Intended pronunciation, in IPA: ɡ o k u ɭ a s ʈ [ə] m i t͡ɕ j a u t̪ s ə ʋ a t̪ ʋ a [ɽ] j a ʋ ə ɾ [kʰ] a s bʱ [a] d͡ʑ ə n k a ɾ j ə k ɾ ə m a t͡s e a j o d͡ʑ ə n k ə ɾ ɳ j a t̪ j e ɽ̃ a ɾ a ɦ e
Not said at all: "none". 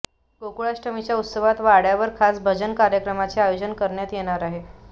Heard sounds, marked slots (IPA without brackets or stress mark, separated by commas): ə, ɽ, kʰ, ə